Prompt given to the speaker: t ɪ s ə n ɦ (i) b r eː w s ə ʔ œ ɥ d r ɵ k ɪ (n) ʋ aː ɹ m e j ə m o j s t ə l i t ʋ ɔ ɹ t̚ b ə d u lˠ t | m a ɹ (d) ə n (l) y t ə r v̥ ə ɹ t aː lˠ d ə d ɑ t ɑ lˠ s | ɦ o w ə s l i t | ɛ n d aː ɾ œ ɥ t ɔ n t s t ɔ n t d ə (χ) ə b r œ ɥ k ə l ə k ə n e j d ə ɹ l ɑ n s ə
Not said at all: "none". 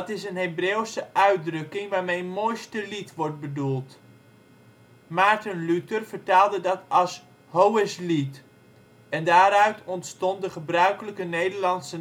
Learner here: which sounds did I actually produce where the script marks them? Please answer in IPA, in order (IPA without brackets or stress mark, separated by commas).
e, ŋ, t, l, χ